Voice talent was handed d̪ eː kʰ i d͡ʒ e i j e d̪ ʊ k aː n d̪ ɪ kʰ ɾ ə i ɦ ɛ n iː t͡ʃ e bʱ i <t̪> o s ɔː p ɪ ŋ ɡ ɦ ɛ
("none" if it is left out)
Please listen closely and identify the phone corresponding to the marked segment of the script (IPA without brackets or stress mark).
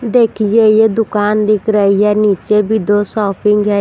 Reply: d̪